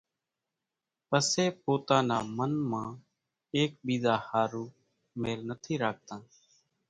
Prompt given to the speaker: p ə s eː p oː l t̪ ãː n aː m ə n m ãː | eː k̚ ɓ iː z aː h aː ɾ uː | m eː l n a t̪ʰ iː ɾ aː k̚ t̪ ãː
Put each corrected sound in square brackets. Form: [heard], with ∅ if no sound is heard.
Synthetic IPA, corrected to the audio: p ə s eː p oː [∅] t̪ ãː n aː m ə n m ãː | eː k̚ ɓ iː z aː h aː ɾ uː | m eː l n [ə] t̪ʰ iː ɾ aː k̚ t̪ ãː